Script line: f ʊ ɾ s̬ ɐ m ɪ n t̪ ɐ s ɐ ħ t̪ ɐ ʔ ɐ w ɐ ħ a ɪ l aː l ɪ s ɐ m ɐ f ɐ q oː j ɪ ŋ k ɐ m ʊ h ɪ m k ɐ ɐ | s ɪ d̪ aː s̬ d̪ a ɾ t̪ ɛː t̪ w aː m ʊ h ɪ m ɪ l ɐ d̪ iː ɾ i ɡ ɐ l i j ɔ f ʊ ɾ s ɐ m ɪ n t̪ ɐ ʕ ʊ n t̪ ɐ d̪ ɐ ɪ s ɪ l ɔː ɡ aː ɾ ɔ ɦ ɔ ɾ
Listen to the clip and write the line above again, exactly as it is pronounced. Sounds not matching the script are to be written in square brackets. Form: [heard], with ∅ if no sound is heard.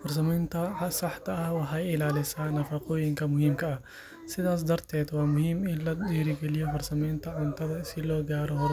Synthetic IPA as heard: f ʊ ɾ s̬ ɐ m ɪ n t̪ ɐ s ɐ ħ t̪ ɐ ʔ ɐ w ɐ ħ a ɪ l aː l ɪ s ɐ [n] ɐ f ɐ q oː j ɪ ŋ k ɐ m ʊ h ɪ m k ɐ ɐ | s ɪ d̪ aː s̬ d̪ [ɐ] ɾ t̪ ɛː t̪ w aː m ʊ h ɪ m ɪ l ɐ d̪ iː ɾ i ɡ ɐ l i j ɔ f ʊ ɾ s ɐ m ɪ n t̪ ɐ ʕ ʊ n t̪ ɐ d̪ ɐ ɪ s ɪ l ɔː ɡ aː ɾ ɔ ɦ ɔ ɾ